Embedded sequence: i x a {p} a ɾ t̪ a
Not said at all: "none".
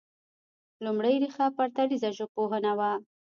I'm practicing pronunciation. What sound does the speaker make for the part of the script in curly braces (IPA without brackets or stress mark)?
p